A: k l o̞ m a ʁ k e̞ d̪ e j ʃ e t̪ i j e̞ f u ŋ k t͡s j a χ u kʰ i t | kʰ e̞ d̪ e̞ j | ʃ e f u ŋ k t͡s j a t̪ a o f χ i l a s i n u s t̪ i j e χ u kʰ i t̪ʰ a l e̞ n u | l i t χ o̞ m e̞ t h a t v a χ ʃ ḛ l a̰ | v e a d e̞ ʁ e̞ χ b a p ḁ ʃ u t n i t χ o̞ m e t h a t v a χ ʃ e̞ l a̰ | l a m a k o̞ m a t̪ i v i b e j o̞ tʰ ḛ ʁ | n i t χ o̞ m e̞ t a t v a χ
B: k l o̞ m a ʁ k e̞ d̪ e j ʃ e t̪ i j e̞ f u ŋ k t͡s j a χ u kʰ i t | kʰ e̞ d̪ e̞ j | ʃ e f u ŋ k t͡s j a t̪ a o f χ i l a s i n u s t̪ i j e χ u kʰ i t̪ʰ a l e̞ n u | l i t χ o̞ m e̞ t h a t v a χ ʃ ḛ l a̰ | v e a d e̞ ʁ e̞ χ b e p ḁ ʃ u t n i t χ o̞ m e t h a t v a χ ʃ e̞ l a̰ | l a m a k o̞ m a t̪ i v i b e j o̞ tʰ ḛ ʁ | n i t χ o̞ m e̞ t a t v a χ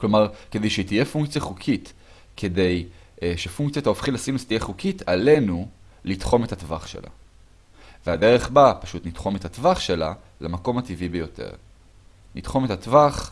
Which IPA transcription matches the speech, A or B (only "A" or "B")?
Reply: A